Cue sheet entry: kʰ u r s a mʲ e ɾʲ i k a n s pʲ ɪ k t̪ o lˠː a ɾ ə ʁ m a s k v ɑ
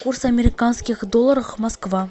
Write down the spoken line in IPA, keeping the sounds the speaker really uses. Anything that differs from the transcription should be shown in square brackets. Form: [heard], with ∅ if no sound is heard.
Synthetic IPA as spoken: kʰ u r s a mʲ e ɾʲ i k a n s [kʲ] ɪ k [d̪] o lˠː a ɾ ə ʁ m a s k v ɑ